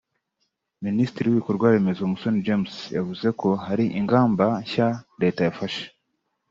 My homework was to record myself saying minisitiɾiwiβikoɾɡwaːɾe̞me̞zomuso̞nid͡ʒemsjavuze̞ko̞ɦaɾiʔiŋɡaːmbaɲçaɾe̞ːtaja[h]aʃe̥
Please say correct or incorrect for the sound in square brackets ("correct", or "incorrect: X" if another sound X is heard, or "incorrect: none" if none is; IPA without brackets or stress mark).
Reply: incorrect: f